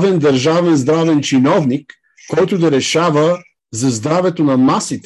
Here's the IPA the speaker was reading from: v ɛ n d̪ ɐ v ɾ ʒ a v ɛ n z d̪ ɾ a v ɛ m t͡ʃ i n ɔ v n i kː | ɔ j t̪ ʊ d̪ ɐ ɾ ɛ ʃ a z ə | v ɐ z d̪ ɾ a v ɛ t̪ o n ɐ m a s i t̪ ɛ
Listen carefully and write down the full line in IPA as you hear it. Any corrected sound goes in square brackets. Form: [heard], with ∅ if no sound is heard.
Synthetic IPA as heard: v ɛ n d̪ ɐ [∅] ɾ ʒ a v ɛ n z d̪ ɾ a v ɛ [n] t͡ʃ i n ɔ v n i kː | ɔ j t̪ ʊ d̪ ɐ ɾ ɛ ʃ a [v] ə | [z] ɐ z d̪ ɾ a v ɛ t̪ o n ɐ m a s i t̪ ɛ